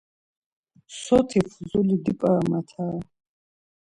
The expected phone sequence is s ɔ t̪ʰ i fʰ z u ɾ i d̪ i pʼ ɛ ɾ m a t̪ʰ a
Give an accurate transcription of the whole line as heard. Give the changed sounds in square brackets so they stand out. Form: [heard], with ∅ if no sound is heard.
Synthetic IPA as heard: s ɔ t̪ʰ i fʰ z u [l] i d̪ i pʼ [a] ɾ m a t̪ʰ a